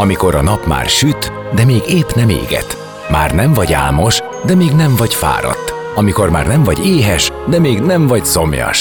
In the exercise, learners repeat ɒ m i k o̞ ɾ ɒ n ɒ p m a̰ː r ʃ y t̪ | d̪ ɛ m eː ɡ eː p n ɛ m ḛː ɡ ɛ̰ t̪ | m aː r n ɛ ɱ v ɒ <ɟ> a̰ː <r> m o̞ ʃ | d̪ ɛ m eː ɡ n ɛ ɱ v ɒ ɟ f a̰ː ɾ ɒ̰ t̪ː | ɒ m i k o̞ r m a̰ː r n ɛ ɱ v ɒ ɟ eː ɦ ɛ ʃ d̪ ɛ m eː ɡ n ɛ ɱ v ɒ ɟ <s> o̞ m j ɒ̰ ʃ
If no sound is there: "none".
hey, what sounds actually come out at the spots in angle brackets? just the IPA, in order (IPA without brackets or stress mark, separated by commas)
ɟ, l, s